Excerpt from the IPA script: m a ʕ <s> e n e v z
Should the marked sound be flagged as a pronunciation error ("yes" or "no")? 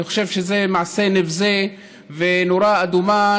no